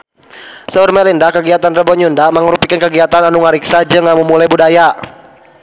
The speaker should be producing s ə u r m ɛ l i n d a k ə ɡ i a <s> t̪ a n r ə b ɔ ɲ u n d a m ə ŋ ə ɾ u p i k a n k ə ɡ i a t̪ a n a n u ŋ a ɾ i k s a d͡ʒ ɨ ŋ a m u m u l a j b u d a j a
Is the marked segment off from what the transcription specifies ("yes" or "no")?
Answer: yes